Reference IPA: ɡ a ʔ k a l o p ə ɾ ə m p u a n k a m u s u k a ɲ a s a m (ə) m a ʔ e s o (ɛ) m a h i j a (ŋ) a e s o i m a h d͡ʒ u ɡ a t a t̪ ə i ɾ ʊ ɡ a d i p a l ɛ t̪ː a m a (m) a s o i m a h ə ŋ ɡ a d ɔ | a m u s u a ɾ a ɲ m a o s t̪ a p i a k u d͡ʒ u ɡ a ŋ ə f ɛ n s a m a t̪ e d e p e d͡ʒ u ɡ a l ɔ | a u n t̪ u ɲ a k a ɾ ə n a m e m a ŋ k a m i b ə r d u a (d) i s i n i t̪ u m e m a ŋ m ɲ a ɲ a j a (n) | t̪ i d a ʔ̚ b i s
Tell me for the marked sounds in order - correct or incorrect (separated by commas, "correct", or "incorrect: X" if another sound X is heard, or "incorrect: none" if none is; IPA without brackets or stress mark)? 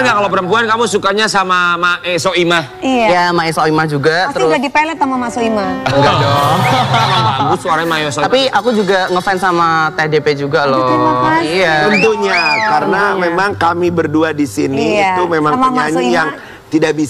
incorrect: a, incorrect: i, incorrect: m, correct, correct, incorrect: ŋ